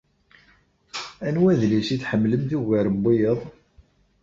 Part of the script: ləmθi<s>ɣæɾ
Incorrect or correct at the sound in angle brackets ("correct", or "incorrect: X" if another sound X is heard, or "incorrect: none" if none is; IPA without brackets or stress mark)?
incorrect: none